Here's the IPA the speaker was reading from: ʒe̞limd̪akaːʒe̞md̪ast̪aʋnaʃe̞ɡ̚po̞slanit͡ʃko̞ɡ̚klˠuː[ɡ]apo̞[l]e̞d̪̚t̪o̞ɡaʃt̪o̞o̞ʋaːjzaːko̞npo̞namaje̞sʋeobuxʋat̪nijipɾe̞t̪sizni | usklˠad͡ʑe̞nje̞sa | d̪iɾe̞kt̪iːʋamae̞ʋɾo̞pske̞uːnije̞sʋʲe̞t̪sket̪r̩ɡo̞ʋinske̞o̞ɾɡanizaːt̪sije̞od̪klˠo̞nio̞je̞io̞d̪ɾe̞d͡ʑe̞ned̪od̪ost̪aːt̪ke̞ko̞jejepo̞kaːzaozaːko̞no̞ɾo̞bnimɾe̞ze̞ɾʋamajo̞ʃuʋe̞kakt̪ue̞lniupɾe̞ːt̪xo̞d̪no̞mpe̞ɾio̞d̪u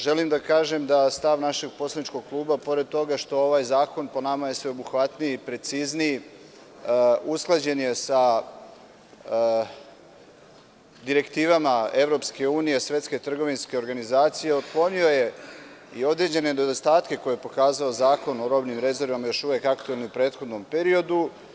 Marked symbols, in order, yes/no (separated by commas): no, no